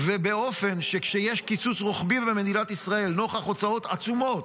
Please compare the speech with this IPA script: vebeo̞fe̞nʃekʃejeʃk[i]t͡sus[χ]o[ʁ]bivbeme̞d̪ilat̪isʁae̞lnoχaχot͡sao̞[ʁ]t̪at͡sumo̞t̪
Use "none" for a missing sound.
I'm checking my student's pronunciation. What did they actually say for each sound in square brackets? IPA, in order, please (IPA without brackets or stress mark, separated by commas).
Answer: i, ʁ, χ, none